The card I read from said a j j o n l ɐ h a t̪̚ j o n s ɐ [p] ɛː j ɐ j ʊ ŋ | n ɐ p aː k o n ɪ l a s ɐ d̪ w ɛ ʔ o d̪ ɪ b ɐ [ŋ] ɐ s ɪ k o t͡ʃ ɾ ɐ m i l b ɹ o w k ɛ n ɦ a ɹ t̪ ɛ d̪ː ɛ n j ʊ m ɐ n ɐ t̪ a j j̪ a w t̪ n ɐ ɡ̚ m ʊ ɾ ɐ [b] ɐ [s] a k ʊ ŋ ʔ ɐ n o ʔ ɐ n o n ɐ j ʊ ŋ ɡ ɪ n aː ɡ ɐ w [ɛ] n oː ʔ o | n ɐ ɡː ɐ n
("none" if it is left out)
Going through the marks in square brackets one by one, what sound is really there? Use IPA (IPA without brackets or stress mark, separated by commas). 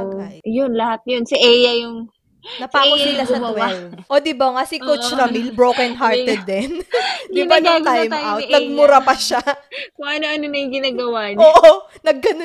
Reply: ʔ, ŋ, p, ʃ, a